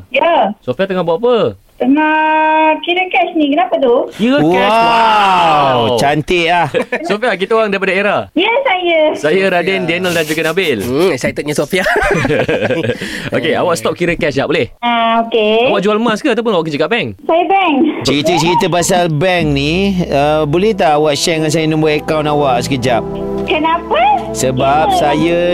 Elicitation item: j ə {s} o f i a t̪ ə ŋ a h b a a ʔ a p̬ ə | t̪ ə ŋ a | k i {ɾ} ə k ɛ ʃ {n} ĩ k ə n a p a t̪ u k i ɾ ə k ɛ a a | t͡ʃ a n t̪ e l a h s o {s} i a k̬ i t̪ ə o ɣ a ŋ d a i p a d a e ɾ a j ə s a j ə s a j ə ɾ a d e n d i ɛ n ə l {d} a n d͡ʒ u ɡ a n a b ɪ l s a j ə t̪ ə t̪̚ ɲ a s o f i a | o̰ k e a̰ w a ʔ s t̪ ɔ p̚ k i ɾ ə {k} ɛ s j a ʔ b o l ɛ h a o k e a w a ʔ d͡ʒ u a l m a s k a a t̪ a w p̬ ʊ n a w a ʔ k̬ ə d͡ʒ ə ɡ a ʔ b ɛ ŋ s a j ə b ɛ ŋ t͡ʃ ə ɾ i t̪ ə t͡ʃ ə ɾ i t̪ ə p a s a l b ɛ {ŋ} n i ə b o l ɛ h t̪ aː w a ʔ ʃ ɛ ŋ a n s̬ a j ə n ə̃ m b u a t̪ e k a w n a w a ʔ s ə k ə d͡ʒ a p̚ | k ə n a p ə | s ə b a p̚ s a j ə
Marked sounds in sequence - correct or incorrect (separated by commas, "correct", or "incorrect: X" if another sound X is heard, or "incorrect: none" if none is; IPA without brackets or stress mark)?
correct, correct, correct, incorrect: f, correct, correct, correct